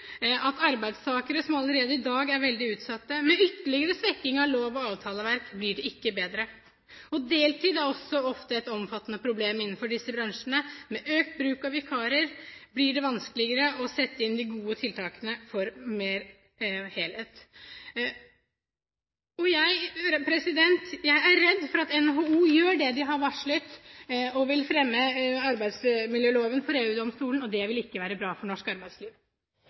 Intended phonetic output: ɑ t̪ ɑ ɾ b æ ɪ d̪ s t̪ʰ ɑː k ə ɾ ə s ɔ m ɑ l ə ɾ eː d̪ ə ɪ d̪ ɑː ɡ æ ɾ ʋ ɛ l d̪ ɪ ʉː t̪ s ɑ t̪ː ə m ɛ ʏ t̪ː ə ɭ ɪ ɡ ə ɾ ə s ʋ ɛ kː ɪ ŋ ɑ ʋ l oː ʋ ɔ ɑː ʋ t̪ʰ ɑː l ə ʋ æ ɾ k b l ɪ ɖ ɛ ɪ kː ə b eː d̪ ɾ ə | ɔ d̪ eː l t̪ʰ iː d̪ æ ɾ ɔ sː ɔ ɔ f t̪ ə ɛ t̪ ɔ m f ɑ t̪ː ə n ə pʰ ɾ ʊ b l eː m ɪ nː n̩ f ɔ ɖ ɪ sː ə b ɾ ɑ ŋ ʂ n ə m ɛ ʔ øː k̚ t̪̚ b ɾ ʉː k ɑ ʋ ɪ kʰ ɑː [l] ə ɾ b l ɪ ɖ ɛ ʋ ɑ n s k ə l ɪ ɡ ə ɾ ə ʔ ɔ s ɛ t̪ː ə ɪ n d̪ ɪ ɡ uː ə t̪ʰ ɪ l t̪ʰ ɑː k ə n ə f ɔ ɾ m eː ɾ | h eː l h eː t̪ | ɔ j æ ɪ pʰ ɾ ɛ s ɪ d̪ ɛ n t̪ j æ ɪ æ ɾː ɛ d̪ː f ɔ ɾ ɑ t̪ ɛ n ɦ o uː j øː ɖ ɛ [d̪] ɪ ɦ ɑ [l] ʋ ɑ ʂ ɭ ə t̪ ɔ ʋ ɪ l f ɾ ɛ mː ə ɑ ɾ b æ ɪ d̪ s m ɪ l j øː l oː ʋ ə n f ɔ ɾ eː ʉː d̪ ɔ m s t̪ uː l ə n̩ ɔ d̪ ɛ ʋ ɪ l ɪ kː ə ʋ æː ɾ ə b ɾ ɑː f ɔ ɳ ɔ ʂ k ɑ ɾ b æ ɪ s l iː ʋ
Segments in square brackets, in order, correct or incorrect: incorrect: ɾ, correct, incorrect: ɾ

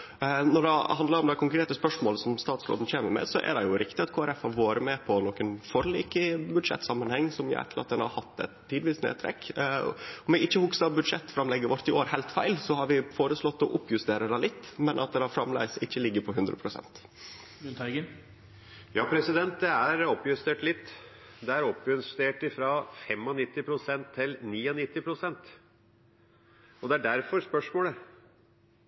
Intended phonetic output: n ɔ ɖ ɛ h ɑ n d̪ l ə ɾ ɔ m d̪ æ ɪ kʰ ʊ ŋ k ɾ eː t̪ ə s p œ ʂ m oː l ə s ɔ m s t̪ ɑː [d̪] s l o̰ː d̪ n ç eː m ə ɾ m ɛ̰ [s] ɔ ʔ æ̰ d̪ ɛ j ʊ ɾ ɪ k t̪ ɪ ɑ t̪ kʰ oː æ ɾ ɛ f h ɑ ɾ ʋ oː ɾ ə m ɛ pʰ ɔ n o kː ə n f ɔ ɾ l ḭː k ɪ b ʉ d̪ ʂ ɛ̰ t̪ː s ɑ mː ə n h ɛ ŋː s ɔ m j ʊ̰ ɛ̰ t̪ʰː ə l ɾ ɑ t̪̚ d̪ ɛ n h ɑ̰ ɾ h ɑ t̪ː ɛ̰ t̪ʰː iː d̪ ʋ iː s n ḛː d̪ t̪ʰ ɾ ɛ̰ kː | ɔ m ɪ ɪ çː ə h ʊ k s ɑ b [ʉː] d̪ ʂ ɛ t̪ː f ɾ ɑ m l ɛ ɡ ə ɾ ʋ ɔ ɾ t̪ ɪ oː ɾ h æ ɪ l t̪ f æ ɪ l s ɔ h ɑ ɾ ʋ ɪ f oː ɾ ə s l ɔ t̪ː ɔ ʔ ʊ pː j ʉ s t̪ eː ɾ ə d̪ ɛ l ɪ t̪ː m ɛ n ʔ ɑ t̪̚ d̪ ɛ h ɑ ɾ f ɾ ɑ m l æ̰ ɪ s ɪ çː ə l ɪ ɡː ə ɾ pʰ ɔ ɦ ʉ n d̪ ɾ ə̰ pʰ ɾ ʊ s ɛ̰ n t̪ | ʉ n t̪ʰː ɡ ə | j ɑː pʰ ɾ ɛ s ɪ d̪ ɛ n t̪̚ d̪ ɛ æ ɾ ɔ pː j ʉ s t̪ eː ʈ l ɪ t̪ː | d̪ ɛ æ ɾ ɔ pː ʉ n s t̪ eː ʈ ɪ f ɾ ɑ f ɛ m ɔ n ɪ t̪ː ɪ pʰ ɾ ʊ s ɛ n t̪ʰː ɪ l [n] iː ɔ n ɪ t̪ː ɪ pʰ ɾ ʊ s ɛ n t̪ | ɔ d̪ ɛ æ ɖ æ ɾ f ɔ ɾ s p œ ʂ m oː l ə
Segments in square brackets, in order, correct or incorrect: incorrect: t̪, correct, incorrect: ʉ, correct

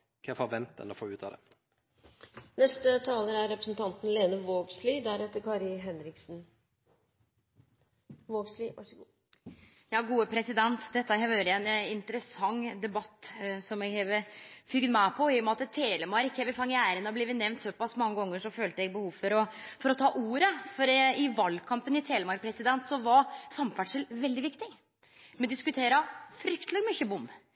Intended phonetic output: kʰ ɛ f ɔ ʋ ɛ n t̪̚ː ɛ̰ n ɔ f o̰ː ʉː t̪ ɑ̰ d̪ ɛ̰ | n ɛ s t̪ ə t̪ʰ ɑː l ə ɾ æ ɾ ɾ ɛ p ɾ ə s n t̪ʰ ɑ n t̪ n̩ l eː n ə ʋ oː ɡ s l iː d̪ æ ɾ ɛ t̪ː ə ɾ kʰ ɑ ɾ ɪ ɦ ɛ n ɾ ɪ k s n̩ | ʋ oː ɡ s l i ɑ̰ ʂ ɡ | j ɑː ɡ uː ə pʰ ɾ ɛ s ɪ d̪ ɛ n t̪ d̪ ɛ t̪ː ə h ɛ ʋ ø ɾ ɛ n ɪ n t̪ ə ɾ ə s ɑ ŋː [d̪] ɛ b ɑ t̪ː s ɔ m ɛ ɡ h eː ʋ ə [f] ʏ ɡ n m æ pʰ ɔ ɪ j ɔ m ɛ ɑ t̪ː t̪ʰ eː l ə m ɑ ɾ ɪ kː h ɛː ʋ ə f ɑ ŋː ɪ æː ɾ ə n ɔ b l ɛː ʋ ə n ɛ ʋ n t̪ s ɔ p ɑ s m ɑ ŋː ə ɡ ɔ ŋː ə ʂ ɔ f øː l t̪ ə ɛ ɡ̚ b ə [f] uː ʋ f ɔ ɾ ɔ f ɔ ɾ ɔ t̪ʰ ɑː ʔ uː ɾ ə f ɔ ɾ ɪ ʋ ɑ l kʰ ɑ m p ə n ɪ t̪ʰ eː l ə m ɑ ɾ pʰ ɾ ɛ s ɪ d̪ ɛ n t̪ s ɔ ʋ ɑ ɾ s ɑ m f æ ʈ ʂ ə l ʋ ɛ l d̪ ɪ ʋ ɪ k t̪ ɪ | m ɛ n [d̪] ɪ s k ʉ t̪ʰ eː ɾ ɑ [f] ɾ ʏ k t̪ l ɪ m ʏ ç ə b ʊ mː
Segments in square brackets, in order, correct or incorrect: correct, correct, incorrect: h, correct, correct

